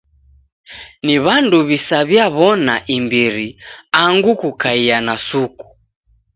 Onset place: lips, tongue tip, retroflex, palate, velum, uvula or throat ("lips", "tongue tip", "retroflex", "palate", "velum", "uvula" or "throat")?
tongue tip